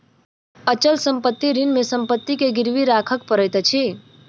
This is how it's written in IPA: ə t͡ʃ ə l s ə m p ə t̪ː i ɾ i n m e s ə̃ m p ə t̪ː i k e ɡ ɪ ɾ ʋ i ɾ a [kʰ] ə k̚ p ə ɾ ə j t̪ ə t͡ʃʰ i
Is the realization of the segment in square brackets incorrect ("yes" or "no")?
no